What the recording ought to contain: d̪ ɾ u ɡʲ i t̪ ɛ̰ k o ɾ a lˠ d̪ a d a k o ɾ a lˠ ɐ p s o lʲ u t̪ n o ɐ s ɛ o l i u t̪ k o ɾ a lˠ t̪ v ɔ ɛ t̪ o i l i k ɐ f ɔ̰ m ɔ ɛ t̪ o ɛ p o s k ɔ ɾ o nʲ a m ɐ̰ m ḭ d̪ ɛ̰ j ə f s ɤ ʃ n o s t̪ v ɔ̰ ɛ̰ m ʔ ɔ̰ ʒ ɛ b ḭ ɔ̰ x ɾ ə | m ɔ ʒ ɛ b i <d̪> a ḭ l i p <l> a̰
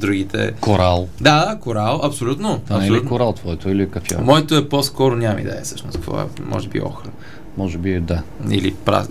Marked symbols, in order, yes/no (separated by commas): yes, no